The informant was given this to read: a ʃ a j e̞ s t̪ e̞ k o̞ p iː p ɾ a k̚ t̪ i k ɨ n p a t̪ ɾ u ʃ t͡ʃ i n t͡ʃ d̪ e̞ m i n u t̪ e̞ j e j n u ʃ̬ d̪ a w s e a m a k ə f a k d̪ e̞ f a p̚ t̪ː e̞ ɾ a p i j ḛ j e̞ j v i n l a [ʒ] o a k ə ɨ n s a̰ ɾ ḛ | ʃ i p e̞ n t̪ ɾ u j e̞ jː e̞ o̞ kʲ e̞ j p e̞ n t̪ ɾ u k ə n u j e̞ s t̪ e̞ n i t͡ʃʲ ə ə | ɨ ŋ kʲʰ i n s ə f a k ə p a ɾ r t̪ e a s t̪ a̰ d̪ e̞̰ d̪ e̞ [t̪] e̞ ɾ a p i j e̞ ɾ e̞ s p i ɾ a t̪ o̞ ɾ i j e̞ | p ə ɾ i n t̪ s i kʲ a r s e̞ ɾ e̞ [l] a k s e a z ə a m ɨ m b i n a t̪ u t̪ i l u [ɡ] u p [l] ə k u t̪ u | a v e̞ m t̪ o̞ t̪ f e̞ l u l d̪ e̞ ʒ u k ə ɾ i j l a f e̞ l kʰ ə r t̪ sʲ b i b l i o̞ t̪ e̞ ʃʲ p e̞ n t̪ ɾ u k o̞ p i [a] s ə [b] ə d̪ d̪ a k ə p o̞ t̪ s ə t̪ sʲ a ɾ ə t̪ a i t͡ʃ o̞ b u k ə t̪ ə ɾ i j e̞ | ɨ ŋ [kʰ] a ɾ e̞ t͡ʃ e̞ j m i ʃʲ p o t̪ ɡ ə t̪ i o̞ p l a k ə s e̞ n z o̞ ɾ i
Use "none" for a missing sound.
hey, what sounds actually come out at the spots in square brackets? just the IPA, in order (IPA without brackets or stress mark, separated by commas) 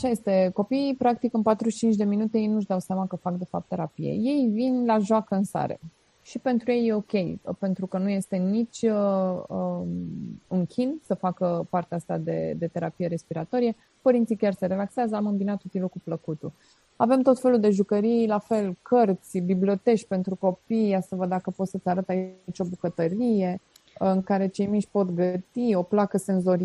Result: ʒ, t̪, l, k, l, a, v, k